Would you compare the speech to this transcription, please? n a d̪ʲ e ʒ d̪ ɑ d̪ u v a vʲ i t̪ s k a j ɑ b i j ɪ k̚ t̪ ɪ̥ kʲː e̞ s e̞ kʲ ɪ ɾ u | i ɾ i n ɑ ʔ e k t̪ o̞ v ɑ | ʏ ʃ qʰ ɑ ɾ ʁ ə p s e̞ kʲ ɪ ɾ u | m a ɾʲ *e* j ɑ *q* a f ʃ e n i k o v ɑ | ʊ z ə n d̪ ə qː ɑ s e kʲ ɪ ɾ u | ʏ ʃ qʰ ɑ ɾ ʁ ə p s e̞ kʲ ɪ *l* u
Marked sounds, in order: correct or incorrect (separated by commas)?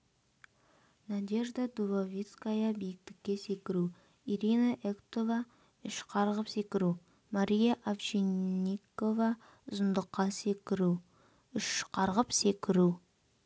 incorrect, incorrect, incorrect